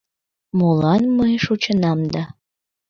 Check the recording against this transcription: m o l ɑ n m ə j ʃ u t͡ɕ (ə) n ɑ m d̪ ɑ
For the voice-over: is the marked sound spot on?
yes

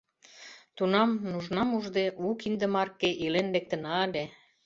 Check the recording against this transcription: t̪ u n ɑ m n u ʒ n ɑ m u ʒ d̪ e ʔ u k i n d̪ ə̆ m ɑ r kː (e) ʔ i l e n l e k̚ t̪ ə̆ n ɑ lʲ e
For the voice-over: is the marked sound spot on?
yes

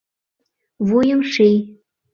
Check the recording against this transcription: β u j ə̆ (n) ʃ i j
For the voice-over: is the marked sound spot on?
no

